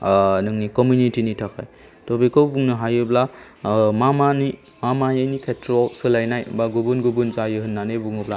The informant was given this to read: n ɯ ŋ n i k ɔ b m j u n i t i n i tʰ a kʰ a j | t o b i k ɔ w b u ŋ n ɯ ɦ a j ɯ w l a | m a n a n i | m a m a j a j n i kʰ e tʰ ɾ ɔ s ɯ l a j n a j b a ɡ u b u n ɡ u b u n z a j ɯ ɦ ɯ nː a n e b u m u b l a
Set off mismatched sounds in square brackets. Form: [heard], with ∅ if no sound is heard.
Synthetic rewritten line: n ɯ ŋ n i k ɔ [∅] m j u n i t i n i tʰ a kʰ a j | t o b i k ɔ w b u ŋ n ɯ ɦ a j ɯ [b] l a | m a [m] a n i | m a m a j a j n i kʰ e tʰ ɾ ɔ s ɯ l a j n a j b a ɡ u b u n ɡ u b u n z a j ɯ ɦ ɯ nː a n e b u [ŋ] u b l a